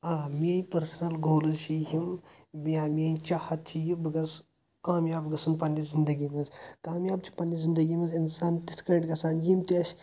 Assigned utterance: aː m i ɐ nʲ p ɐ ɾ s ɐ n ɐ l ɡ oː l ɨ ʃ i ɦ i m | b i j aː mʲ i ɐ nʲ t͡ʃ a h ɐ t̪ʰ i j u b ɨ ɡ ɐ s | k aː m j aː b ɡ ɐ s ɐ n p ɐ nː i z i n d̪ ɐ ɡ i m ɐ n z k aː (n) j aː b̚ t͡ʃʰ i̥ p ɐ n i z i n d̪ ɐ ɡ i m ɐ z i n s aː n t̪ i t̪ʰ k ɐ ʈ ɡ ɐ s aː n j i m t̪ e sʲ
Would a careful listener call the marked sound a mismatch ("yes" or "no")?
yes